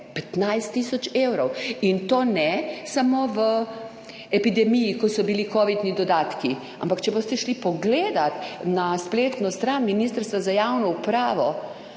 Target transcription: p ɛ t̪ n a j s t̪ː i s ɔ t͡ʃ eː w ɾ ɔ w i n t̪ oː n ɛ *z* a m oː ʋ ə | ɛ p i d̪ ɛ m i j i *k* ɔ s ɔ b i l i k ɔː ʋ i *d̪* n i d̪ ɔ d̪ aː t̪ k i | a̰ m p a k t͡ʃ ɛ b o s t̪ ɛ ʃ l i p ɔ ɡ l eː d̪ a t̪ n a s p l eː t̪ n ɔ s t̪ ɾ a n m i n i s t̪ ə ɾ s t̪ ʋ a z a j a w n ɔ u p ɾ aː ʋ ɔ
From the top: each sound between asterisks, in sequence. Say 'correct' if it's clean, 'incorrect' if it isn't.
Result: incorrect: s, correct, correct

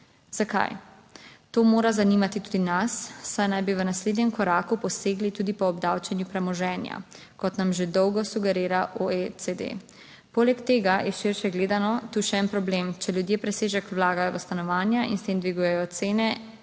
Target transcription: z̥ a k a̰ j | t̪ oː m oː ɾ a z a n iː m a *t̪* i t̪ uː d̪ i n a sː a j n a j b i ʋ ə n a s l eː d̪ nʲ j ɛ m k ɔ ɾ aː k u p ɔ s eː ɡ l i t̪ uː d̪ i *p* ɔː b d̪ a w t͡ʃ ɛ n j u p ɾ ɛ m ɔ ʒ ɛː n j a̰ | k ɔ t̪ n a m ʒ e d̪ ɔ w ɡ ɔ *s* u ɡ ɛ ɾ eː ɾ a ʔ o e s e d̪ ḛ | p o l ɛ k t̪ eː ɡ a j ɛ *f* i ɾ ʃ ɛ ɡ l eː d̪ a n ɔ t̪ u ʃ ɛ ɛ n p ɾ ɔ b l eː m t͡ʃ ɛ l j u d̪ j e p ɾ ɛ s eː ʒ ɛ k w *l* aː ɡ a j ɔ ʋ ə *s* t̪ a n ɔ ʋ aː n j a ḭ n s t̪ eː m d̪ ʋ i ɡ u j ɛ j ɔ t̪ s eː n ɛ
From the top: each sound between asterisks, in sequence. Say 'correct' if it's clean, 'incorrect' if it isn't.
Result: correct, correct, correct, incorrect: ʃ, correct, correct

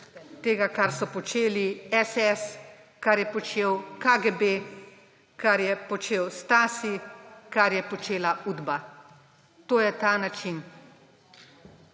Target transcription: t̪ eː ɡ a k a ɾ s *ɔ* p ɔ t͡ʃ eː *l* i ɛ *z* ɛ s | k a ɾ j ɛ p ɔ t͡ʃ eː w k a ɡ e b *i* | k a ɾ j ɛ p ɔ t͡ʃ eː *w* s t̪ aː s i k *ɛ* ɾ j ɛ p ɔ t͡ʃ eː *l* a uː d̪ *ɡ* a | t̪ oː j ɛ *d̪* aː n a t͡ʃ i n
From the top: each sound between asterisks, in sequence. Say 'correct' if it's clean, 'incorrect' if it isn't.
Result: correct, correct, incorrect: s, incorrect: e, correct, incorrect: a, correct, incorrect: b, incorrect: t̪

